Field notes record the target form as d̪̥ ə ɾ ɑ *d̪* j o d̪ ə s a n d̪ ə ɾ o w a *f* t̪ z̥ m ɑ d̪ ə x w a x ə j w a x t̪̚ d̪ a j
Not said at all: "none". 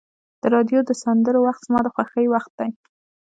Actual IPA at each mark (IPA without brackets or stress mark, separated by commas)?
d̪, x